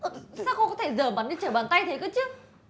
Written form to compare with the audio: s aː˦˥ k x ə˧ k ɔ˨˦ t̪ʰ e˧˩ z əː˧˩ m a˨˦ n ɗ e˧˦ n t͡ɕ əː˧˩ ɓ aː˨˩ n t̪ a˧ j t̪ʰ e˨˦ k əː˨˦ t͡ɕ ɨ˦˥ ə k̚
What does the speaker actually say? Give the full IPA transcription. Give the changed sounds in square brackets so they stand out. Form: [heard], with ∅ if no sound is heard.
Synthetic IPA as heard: s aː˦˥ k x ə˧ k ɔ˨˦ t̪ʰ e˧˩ z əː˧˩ m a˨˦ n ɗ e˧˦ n t͡ɕ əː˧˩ ɓ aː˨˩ n t̪ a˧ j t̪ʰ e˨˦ k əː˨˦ t͡ɕ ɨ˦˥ ə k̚